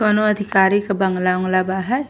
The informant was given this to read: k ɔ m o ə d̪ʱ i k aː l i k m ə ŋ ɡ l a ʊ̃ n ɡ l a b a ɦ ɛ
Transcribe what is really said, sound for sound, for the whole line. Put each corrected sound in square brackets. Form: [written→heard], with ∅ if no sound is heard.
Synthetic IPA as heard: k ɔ [m→n] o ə d̪ʱ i k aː [l→ɾ] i k [m→b] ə ŋ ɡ l a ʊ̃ [n→ŋ] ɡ l a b a ɦ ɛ